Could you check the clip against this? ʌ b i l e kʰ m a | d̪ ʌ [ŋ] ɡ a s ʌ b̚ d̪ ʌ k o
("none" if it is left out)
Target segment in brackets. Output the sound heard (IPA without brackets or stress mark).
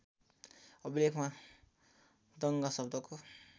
ŋ